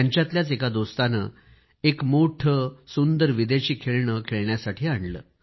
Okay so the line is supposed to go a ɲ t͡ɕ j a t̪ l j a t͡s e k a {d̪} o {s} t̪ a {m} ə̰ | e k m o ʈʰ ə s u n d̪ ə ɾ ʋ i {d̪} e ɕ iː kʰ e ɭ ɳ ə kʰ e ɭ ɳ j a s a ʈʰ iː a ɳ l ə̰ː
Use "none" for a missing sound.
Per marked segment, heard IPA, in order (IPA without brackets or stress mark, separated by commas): d̪, s, n, d̪